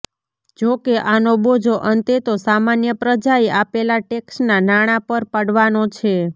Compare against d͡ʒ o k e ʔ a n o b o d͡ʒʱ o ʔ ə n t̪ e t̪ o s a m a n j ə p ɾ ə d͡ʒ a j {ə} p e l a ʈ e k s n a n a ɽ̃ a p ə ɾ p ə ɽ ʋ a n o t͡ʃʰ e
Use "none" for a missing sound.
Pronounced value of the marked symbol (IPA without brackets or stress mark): a